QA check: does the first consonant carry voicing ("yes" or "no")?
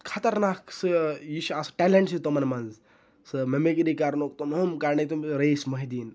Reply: no